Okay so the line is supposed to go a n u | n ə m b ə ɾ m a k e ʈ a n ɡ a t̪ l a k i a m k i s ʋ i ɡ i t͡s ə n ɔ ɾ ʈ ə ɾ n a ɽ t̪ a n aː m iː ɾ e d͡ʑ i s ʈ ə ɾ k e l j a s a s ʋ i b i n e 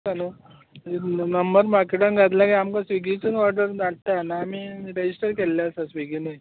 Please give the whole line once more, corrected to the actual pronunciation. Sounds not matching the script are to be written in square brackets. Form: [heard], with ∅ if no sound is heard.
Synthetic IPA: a n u | n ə m b ə ɾ m a k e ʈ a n ɡ a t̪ l a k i a m k [a] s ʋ i ɡ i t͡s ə n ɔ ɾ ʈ ə ɾ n a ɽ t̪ a n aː m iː ɾ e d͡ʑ i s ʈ ə ɾ k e l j a s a s ʋ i [ɡ] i n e

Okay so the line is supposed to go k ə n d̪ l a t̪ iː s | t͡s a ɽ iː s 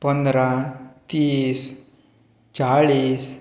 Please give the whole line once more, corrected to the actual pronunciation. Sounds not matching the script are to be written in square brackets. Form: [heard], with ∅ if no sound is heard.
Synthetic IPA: [p] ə n d̪ [ɾ] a t̪ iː s | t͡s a [ɭ] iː s

